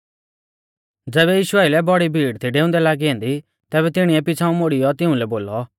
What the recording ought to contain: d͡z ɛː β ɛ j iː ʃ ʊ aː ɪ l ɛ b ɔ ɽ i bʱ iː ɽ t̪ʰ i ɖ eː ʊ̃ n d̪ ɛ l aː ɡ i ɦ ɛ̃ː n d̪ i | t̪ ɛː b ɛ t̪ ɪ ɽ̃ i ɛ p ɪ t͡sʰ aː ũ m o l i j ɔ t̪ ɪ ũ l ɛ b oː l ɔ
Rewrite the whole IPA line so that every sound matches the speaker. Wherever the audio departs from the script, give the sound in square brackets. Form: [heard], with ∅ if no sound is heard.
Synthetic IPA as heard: d͡z ɛː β ɛ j iː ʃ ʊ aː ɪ l ɛ b ɔ ɽ i bʱ iː ɽ t̪ʰ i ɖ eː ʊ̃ n d̪ ɛ l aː ɡ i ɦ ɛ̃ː n d̪ i | t̪ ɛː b ɛ t̪ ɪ ɽ̃ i ɛ p ɪ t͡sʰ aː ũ m o [ɽ] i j ɔ t̪ ɪ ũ l ɛ b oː l ɔ